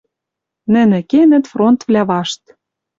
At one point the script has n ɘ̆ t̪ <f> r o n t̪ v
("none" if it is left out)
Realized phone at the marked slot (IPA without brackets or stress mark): f